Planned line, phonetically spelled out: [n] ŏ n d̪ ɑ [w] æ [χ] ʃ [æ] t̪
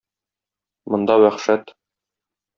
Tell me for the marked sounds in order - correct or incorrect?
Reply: incorrect, correct, correct, correct

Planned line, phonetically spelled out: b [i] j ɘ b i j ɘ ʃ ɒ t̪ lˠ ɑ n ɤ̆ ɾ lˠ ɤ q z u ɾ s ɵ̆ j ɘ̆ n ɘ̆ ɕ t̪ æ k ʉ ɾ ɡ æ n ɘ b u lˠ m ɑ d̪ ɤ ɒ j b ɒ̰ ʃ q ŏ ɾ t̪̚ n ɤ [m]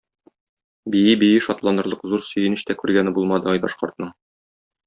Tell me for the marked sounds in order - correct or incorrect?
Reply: correct, incorrect

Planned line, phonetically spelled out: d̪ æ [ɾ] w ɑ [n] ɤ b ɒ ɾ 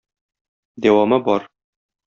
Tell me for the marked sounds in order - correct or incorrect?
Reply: incorrect, incorrect

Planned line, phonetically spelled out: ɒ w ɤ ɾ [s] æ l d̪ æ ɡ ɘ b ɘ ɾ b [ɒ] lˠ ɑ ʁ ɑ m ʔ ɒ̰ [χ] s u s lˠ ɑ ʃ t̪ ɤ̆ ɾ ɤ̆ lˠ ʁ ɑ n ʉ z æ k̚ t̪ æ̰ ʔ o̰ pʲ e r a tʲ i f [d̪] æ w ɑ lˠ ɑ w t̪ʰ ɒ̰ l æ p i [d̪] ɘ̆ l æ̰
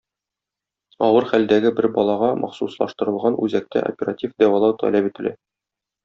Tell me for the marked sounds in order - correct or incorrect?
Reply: incorrect, correct, correct, correct, incorrect

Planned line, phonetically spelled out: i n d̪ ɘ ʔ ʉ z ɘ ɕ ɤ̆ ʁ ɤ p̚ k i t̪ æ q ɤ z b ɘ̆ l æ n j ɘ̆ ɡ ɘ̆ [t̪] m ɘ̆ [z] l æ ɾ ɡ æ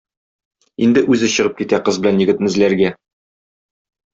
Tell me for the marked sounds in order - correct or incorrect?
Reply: correct, correct

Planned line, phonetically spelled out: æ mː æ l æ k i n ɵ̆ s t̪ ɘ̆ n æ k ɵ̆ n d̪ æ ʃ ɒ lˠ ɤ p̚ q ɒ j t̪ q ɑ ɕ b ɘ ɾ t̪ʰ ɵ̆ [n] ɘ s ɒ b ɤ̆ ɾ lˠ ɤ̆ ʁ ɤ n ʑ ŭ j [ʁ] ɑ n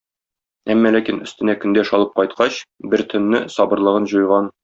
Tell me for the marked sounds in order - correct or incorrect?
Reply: incorrect, correct

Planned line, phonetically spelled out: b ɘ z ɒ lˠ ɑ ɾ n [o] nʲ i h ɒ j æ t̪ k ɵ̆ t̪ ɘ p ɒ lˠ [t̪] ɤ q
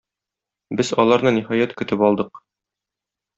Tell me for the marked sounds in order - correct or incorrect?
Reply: incorrect, incorrect

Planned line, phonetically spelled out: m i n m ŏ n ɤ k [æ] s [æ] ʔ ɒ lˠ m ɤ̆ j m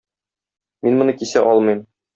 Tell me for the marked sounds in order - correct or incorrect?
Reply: incorrect, correct

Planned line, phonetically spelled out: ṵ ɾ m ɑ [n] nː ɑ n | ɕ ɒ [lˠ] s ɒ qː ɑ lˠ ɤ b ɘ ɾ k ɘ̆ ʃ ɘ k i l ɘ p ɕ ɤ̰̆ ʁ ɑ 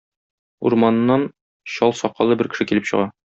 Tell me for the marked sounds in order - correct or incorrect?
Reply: correct, correct

